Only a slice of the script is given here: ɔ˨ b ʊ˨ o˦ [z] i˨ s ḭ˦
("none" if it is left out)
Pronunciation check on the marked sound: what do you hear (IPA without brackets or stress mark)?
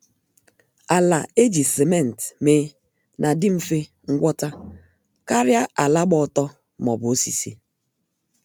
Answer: s